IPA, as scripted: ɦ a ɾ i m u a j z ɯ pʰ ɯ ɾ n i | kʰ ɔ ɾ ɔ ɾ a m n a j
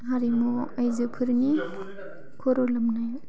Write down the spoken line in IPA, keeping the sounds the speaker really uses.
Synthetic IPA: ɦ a ɾ i m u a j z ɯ pʰ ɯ ɾ n i | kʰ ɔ ɾ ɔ l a m n a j

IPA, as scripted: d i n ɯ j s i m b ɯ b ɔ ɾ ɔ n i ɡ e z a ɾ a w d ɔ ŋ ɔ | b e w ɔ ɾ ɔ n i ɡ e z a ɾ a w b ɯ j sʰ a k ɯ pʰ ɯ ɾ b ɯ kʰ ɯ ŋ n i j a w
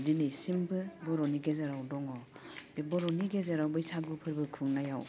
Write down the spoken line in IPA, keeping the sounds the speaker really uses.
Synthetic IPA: d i n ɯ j s i m b ɯ b ɔ ɾ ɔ n i ɡ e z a ɾ a w d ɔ ŋ ɔ | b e b ɔ ɾ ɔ n i ɡ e z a ɾ a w b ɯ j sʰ a ɡ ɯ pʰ ɯ ɾ b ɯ kʰ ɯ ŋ n a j a w

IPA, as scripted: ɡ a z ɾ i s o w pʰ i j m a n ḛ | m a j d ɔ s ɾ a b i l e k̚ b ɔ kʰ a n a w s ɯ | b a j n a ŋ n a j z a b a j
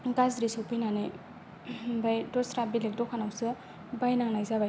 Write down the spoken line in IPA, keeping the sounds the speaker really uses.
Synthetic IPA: ɡ a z ɾ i s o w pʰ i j n a n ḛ | b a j d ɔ s ɾ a b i l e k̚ d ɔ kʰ a n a w s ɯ | b a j n a ŋ n a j z a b a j

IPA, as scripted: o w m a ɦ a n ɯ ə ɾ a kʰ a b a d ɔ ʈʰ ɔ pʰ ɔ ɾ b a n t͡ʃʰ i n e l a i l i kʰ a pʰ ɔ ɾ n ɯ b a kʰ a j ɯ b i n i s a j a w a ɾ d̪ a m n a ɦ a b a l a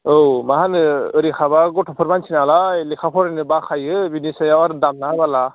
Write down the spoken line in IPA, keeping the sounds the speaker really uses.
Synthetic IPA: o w m a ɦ a n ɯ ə ɾ i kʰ a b a ɡ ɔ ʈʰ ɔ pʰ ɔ ɾ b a n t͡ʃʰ i n a l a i l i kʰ a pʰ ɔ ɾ n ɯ b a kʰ a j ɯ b i n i s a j a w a ɾ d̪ a m n a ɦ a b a l a

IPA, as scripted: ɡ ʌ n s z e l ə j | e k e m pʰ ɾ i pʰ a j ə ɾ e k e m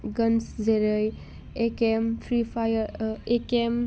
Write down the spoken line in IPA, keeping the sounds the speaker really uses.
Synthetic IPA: ɡ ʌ n s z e ɾ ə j | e k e m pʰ ɾ i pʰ a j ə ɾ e k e m

